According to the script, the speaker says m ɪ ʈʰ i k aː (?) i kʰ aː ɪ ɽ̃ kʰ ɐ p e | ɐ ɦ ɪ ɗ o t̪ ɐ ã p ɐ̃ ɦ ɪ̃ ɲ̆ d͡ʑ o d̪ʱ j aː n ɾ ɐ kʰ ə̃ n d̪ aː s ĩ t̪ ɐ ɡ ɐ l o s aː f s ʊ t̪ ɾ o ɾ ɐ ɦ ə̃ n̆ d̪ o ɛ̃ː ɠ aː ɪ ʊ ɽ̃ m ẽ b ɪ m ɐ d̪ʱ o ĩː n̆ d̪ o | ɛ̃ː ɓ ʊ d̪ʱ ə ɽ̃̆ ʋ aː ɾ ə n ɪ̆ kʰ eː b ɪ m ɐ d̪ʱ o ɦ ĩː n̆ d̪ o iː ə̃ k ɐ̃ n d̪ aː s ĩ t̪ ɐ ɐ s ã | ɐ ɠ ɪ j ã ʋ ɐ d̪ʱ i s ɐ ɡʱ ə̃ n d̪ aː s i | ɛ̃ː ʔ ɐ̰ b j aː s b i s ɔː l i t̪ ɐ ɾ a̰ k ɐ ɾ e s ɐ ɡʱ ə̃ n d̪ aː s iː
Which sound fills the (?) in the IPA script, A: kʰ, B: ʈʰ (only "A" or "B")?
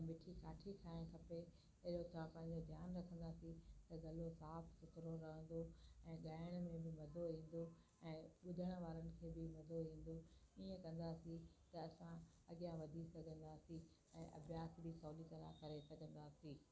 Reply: B